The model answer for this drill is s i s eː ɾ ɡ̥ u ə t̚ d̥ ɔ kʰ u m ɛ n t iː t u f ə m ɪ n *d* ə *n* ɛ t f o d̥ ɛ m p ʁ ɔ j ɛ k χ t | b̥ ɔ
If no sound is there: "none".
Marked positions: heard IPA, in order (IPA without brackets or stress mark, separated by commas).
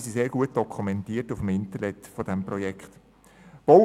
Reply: t, n